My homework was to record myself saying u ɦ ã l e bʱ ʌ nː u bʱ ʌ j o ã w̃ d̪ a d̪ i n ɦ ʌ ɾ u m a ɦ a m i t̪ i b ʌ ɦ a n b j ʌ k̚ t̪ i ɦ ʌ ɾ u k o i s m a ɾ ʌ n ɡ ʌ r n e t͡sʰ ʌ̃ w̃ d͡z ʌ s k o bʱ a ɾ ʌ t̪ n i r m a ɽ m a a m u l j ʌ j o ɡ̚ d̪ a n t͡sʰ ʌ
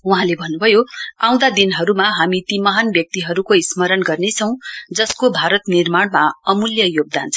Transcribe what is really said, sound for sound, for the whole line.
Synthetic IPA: u ɦ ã l e bʱ ʌ nː u bʱ ʌ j o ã w̃ d̪ a d̪ i n ɦ ʌ ɾ u m a ɦ a m i t̪ i m ʌ ɦ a n b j ʌ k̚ t̪ i ɦ ʌ ɾ u k o i s m ʌ ɾ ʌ n ɡ ʌ r n e t͡sʰ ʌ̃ w̃ d͡z ʌ s k o bʱ a ɾ ʌ t̪ n i r m a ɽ m a ʌ m u l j ʌ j o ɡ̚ d̪ a n t͡sʰ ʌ